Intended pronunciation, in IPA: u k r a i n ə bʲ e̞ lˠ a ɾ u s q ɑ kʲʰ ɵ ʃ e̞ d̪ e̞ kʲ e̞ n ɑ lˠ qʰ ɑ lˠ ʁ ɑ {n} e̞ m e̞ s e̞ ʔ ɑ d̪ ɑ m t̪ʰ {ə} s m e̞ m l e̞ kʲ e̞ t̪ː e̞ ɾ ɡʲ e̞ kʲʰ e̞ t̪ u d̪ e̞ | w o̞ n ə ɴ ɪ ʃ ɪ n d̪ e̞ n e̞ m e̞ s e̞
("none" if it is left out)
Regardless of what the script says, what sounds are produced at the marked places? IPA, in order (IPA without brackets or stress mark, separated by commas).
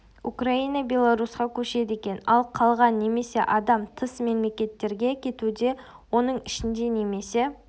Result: nː, ə